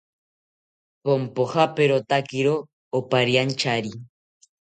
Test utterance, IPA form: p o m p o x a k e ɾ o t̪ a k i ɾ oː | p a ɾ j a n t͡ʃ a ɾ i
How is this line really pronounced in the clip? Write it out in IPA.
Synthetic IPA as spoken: p o m p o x a p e ɾ o t̪ a k i ɾ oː | p a ɾ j a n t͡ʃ a ɾ i